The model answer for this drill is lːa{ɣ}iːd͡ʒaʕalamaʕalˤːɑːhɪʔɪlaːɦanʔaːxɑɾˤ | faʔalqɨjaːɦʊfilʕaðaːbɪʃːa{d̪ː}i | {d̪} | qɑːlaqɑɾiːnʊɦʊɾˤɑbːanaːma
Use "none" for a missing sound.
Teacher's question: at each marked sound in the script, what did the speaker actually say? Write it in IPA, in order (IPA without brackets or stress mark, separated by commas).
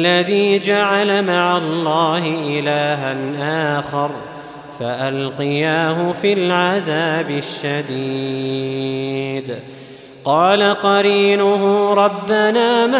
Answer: ð, d̪, d̪